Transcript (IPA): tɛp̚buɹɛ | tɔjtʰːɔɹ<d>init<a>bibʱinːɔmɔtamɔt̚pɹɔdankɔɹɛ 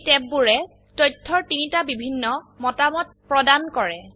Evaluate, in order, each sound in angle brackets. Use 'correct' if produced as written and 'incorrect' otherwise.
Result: incorrect: t, correct

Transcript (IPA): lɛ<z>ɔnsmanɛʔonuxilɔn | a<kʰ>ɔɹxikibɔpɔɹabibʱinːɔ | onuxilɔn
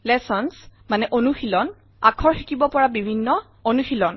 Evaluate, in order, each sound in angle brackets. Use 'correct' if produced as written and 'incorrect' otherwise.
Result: incorrect: s, correct

